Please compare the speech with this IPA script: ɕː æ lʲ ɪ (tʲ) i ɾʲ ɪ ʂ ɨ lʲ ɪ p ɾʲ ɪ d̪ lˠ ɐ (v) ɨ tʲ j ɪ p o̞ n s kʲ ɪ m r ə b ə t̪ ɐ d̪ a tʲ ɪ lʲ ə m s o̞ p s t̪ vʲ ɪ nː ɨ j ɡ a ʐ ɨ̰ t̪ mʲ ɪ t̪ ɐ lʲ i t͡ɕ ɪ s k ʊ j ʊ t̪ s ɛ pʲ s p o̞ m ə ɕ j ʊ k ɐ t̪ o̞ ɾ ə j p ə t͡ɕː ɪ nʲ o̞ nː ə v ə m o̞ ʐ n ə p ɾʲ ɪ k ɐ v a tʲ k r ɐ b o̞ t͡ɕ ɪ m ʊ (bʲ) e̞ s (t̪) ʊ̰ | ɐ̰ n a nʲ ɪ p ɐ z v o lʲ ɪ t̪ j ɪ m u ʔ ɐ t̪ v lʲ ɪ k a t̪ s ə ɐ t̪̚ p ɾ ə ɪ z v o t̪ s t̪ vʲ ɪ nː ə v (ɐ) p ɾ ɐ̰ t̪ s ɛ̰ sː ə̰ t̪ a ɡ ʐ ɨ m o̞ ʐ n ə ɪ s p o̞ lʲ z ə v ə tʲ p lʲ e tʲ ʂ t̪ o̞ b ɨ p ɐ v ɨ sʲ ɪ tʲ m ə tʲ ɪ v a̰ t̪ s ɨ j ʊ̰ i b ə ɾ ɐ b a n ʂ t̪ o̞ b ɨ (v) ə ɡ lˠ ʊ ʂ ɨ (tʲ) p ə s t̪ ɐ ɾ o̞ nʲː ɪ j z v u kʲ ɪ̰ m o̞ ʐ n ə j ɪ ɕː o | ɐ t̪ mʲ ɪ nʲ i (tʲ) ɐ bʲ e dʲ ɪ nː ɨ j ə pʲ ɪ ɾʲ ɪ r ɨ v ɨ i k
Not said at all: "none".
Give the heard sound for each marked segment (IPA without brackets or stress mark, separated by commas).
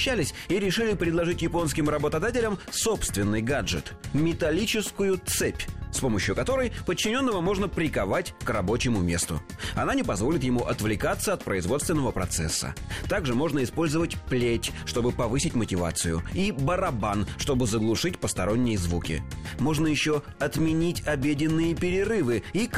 sʲ, ʐ, mʲ, t̪, ə, z, tʲ, tʲ